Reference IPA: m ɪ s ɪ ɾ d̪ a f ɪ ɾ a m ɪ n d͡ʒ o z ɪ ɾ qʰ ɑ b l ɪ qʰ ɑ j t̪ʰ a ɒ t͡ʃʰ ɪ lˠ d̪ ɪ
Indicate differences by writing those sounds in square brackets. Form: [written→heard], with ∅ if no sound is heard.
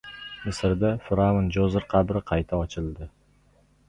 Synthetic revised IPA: m ɪ s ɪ ɾ d̪ a f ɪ ɾ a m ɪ n d͡ʒ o z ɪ ɾ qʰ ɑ b [l→ɾ] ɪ qʰ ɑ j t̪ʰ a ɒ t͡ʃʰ ɪ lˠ d̪ ɪ

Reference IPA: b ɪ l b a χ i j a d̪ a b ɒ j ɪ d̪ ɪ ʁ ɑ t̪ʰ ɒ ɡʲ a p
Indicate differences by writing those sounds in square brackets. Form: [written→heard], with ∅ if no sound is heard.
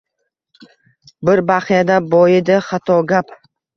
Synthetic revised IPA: b ɪ [l→ɾ] b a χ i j a d̪ a b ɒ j ɪ d̪ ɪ [ʁ→χ] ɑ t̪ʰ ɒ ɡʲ a p

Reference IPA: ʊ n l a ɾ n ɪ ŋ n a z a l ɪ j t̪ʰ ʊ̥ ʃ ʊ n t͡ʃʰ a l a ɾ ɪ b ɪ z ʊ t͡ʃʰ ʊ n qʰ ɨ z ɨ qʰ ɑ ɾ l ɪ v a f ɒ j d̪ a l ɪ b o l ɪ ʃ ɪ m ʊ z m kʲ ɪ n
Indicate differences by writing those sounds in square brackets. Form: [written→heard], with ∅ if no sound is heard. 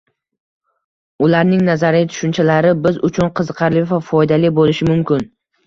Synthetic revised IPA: ʊ [n→∅] l a ɾ n ɪ ŋ n a z a [l→ɾ] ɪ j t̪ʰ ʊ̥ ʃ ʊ n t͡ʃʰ a l a ɾ ɪ b ɪ z ʊ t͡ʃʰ ʊ n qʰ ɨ z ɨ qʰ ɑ ɾ l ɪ v a f ɒ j d̪ a l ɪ b o l ɪ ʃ ɪ m ʊ [z→∅] m kʲ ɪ n

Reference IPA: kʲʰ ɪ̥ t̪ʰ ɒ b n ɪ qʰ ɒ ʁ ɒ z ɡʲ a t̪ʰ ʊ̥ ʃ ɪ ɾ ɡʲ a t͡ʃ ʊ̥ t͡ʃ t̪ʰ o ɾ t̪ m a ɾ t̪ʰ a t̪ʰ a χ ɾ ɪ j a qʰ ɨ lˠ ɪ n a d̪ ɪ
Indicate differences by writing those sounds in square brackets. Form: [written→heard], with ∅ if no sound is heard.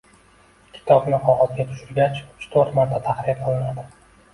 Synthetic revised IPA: kʲʰ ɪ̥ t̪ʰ ɒ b n ɪ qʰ ɒ ʁ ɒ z ɡʲ a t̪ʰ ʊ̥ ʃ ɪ ɾ ɡʲ a t͡ʃ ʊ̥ t͡ʃ t̪ʰ o ɾ t̪ m a ɾ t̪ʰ a t̪ʰ a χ ɾ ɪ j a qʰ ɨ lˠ ɪ n a d̪ ɪ

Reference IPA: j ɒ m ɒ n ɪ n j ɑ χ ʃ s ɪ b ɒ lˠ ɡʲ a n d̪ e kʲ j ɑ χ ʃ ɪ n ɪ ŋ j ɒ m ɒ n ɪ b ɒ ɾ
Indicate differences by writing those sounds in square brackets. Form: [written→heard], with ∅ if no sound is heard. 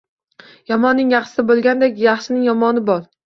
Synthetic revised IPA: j ɒ m ɒ [n→nː] ɪ [n→ŋ] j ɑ χ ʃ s ɪ b [ɒ→o] lˠ ɡʲ a n d̪ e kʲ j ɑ χ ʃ ɪ n ɪ ŋ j ɒ m ɒ n ɪ b ɒ ɾ

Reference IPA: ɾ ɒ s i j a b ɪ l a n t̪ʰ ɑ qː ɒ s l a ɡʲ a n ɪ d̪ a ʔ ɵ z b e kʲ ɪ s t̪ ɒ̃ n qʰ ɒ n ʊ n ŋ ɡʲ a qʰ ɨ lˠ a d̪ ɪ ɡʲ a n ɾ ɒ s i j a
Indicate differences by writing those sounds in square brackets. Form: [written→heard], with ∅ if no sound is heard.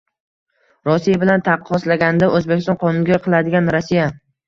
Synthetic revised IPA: ɾ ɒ s i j a b ɪ l a n t̪ʰ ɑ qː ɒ s l a ɡʲ a n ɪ d̪ a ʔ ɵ z b e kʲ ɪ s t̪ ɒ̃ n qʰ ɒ n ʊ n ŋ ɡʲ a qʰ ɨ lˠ a d̪ ɪ ɡʲ a n ɾ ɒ s i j a

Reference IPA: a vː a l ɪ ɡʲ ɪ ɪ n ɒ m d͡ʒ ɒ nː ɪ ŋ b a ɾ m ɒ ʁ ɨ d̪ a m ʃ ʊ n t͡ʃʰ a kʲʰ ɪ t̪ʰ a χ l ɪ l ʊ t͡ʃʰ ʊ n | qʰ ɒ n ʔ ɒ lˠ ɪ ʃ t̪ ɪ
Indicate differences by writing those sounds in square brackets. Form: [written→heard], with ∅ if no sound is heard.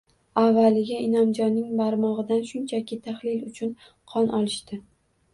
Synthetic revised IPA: a vː a l ɪ ɡʲ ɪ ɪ n ɒ m d͡ʒ ɒ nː ɪ ŋ b a ɾ m ɒ ʁ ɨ d̪ a [m→n] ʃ ʊ n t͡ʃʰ a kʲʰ ɪ t̪ʰ a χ l ɪ l ʊ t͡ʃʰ ʊ n | qʰ ɒ n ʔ ɒ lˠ ɪ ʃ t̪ ɪ

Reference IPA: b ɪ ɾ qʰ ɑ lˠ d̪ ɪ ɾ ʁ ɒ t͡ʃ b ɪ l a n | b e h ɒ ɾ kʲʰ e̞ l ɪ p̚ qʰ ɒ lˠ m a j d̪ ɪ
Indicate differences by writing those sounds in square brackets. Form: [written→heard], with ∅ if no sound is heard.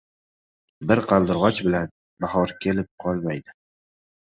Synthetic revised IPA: b ɪ ɾ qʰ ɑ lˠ d̪ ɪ ɾ ʁ ɒ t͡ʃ b ɪ l a n | b [e→a] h ɒ ɾ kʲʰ e̞ l ɪ p̚ qʰ ɒ lˠ m a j d̪ ɪ

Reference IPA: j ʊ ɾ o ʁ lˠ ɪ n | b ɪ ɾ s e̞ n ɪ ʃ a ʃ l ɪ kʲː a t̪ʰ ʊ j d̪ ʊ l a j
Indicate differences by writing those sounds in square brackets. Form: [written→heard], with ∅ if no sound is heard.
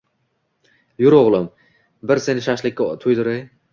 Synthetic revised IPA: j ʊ ɾ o ʁ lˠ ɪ [n→m] | b ɪ ɾ s e̞ n ɪ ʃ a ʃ l ɪ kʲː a t̪ʰ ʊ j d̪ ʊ [l→ɾ] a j

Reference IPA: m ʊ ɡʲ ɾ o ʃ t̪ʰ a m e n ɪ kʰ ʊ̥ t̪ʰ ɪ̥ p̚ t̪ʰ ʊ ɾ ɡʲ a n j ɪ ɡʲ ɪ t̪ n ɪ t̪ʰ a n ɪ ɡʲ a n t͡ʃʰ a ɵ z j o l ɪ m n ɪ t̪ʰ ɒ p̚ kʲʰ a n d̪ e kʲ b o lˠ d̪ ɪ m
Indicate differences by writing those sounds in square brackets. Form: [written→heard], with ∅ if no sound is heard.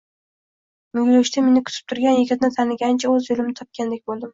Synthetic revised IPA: m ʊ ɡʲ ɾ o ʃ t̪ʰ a m e n ɪ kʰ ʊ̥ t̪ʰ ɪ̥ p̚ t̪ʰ ʊ ɾ ɡʲ a n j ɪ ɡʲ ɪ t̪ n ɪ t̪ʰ a n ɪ ɡʲ a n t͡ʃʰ a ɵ z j o l ɪ m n ɪ t̪ʰ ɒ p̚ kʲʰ a n d̪ e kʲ b o lˠ d̪ ɪ m

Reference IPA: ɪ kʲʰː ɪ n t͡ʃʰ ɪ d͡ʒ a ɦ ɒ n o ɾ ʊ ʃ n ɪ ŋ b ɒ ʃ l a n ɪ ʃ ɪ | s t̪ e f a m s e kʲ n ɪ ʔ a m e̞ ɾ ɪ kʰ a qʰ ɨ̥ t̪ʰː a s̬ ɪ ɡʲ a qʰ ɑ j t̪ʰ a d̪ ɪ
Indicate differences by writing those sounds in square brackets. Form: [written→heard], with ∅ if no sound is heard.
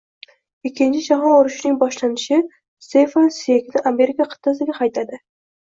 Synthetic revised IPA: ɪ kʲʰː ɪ n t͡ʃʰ ɪ d͡ʒ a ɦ ɒ n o ɾ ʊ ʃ n ɪ ŋ b ɒ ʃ l a n ɪ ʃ ɪ | s t̪ e f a [m→n] s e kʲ n ɪ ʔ a m e̞ ɾ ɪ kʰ a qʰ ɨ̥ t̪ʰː a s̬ ɪ ɡʲ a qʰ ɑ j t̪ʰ a d̪ ɪ

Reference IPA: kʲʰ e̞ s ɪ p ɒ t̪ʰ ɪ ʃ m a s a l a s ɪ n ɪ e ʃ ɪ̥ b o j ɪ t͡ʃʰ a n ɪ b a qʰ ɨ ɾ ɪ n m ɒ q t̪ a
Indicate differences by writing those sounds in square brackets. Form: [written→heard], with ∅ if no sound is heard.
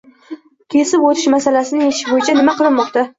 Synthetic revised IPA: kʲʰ e̞ s ɪ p [ɒ→o] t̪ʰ ɪ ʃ m a s a l a s ɪ n ɪ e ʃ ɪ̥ b o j ɪ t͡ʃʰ a n ɪ [b→m] a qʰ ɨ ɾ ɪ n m ɒ q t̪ a

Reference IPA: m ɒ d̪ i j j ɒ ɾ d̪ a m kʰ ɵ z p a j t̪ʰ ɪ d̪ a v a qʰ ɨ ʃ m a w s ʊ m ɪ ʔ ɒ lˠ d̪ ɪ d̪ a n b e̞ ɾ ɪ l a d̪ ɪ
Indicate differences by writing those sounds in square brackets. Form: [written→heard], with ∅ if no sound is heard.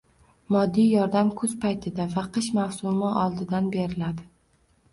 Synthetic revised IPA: m ɒ [d̪→d̪ː] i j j ɒ ɾ d̪ a m kʰ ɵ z p a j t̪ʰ ɪ d̪ a v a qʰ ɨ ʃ m a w s ʊ m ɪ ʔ ɒ lˠ d̪ ɪ d̪ a n b e̞ ɾ ɪ l a d̪ ɪ

